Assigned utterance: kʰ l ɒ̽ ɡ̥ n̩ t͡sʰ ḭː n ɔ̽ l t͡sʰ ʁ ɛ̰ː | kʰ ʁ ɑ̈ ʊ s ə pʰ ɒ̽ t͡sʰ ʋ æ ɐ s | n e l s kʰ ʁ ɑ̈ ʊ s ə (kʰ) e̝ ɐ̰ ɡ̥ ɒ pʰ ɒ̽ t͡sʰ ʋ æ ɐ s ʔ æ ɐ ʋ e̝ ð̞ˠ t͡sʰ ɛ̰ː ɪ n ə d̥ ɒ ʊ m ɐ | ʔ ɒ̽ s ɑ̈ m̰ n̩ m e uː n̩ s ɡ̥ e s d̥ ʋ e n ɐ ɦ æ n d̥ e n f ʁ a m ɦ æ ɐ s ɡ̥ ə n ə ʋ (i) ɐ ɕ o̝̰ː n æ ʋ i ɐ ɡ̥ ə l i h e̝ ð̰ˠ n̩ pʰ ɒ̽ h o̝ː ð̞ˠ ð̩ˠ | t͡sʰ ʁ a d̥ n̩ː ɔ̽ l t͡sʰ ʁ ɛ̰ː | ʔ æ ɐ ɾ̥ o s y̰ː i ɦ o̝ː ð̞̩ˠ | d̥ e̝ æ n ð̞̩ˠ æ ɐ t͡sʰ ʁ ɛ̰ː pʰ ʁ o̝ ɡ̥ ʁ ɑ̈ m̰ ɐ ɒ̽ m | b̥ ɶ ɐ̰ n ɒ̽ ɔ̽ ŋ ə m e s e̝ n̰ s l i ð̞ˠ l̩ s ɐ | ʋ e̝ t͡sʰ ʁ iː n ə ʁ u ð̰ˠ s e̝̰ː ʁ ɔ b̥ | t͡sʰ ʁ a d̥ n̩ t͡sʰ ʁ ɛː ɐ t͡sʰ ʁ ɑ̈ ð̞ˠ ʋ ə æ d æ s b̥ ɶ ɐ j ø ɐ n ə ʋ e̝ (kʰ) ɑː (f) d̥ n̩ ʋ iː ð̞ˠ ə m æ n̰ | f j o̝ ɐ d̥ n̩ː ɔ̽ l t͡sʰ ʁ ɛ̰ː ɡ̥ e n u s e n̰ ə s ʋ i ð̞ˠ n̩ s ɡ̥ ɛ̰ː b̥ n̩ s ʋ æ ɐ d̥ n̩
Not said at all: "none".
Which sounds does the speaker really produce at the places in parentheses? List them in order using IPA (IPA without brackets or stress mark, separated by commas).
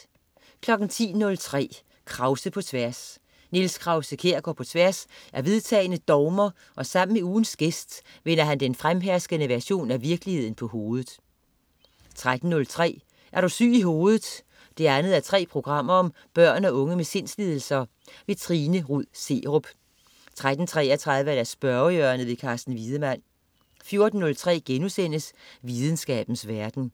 kʰ, æ, kʰ, s